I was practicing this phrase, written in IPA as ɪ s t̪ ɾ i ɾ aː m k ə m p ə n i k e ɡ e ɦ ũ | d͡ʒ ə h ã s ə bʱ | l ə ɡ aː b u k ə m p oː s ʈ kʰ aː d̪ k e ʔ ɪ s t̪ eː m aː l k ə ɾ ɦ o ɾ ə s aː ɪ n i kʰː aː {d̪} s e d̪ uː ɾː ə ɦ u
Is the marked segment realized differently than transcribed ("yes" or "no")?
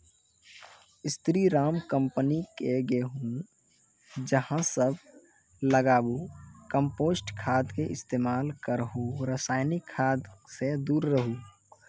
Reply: no